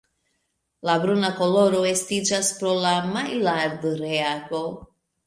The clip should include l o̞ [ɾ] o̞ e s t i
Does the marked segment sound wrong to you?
no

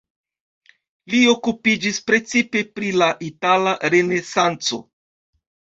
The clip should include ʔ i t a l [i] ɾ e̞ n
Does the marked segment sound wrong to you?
yes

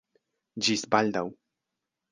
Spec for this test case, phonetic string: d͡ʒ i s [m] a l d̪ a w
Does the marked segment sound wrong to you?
yes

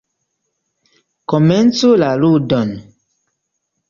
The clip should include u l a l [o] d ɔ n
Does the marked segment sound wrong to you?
yes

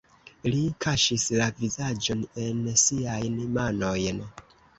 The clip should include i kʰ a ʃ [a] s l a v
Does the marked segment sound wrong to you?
yes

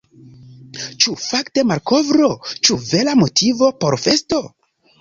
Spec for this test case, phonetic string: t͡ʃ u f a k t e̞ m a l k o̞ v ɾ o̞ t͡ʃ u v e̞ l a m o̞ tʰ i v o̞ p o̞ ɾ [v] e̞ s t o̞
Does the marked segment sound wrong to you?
yes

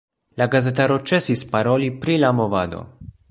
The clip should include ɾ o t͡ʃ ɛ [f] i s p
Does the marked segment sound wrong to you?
yes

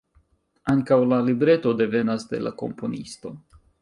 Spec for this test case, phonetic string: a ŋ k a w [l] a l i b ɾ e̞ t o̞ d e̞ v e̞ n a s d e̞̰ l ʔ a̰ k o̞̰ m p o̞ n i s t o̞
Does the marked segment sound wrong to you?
no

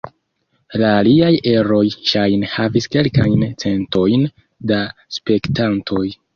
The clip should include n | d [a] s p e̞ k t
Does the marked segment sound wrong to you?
no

